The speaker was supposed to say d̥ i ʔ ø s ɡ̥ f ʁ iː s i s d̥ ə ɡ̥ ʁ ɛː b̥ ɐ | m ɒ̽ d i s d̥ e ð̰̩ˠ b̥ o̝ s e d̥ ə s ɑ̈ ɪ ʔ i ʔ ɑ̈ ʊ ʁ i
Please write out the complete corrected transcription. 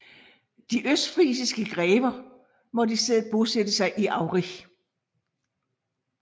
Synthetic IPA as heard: d̥ i ʔ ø s d̥ f ʁ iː s i s ɡ̥ ə ɡ̥ ʁ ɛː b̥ ɐ | m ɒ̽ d i s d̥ e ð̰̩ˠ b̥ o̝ s e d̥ ə s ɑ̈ ɪ ʔ i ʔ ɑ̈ ʊ ʁ i